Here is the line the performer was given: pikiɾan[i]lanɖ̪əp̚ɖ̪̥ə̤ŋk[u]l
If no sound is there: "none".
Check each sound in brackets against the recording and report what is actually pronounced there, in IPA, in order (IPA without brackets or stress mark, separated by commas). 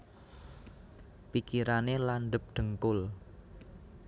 e, ʊ